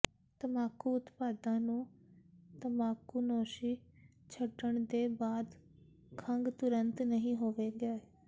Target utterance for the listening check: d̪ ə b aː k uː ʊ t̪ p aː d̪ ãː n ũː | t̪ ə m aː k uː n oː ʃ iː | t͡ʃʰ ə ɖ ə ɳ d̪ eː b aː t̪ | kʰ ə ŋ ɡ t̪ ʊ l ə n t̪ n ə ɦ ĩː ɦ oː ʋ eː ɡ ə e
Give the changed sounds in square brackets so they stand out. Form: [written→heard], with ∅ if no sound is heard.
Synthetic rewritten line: [d̪→t̪] ə [b→m] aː k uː ʊ t̪ p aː d̪ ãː n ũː | t̪ ə m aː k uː n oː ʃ iː | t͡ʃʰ ə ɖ ə ɳ d̪ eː b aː [t̪→d̪] | kʰ ə ŋ ɡ t̪ ʊ [l→ɾ] ə n t̪ n ə ɦ ĩː ɦ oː ʋ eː ɡ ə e

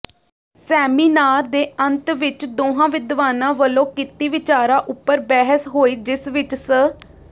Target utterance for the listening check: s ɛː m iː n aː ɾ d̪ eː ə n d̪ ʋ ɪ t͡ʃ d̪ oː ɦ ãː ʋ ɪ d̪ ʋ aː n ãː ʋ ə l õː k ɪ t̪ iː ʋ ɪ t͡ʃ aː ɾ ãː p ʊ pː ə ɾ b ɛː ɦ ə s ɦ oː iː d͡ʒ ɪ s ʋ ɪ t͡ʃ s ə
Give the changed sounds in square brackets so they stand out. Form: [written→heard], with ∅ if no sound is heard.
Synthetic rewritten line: s ɛː m iː n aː ɾ d̪ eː ə n [d̪→t̪] ʋ ɪ t͡ʃ d̪ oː ɦ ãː ʋ ɪ d̪ ʋ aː n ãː ʋ ə l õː k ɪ t̪ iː ʋ ɪ t͡ʃ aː ɾ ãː [p→ʔ] ʊ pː ə ɾ b ɛː ɦ ə s ɦ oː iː d͡ʒ ɪ s ʋ ɪ t͡ʃ s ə

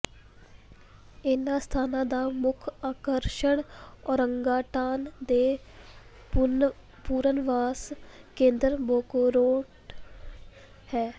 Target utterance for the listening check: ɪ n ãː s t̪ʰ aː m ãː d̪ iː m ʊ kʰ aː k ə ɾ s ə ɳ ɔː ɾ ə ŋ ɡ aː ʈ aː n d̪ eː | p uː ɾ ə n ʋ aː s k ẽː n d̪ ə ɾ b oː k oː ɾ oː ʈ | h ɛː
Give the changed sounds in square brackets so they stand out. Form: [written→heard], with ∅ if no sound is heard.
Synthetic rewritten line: ɪ n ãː s t̪ʰ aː [m→n] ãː d̪ [iː→aː] m ʊ kʰ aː k ə ɾ [s→ʃ] ə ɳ ɔː ɾ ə ŋ ɡ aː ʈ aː n d̪ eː | p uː ɾ ə n ʋ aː s k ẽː n d̪ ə ɾ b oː k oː ɾ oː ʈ | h ɛː

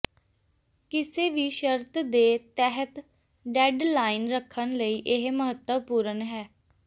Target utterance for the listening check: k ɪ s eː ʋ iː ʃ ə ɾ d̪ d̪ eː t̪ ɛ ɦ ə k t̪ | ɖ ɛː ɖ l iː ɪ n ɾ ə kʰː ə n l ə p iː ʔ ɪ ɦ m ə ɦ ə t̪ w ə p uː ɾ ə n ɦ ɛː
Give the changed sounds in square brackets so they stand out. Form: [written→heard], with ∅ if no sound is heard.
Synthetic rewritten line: k ɪ s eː ʋ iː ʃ ə ɾ [d̪→t̪] d̪ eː t̪ ɛ ɦ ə [k→∅] t̪ | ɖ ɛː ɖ l [iː→aː] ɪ n ɾ ə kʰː ə n l ə [p→∅] iː ʔ ɪ ɦ m ə ɦ ə t̪ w ə p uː ɾ ə n ɦ ɛː

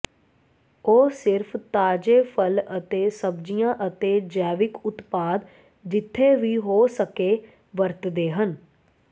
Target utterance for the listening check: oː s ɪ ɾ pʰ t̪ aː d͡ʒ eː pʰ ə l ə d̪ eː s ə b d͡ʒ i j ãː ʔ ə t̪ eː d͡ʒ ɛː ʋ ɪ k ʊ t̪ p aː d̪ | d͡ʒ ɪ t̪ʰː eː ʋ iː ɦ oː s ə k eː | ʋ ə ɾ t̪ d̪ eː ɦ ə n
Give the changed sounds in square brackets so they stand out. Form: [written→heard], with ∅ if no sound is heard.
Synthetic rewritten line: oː s ɪ ɾ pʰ t̪ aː d͡ʒ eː pʰ ə l ə [d̪→t̪] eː s ə b d͡ʒ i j ãː ʔ ə t̪ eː d͡ʒ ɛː ʋ ɪ k ʊ t̪ p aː d̪ | d͡ʒ ɪ t̪ʰː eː ʋ iː ɦ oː s ə k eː | ʋ ə ɾ t̪ d̪ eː ɦ ə n

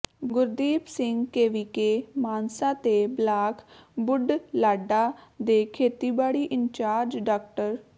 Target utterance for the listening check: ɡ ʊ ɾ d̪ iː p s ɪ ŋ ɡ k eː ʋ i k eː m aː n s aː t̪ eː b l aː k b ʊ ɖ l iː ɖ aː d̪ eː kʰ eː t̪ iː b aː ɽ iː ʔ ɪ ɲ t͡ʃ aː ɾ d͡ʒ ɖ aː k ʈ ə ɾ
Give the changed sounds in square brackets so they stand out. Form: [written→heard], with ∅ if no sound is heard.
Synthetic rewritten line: ɡ ʊ ɾ d̪ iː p s ɪ ŋ ɡ k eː ʋ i k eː m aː n s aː t̪ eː b l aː k b ʊ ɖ l [iː→aː] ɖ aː d̪ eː kʰ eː t̪ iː b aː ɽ iː ʔ ɪ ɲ t͡ʃ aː ɾ d͡ʒ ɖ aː k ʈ ə ɾ

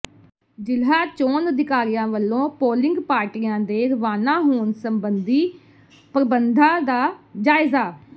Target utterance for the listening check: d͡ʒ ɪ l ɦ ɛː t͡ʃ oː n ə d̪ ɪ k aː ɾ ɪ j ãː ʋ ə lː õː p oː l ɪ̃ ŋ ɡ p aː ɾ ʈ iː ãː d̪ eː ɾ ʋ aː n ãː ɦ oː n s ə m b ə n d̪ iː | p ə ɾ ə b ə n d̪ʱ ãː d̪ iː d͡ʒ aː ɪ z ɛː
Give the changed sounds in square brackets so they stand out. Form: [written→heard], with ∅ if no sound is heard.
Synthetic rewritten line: d͡ʒ ɪ l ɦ [ɛː→aː] t͡ʃ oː n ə d̪ ɪ k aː ɾ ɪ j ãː ʋ ə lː õː p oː l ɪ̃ ŋ ɡ p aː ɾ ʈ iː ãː d̪ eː ɾ ʋ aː n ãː ɦ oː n s ə m b ə n d̪ iː | p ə ɾ ə b ə n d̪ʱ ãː d̪ [iː→aː] d͡ʒ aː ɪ z [ɛː→aː]

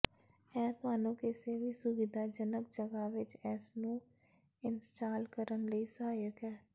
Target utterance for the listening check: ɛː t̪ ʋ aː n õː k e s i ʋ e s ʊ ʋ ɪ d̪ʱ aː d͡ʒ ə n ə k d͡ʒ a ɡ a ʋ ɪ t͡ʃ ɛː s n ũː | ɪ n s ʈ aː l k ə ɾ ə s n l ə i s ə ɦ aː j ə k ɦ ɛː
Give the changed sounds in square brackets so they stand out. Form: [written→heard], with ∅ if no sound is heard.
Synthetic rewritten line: ɛː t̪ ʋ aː n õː k e s [i→e] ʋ [e→i] s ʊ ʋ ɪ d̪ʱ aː d͡ʒ ə n ə k d͡ʒ [a→ə] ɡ a ʋ ɪ t͡ʃ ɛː s n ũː | ɪ n s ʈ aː l k ə ɾ ə [s→∅] n l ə i s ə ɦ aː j ə k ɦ ɛː

